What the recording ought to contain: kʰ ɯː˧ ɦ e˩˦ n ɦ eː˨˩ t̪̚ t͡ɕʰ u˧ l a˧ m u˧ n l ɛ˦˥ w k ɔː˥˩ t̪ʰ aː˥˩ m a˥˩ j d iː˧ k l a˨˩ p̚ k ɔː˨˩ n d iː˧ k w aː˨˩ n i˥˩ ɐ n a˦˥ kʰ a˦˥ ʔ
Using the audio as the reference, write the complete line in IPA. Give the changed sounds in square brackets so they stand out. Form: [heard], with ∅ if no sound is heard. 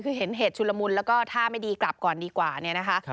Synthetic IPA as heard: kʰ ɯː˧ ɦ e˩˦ n ɦ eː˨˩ t̪̚ t͡ɕʰ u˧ l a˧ m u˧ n l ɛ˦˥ w k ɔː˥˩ t̪ʰ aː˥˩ m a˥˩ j d iː˧ k l a˨˩ p̚ k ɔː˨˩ n d iː˧ k w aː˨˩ n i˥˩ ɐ n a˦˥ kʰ a˦˥ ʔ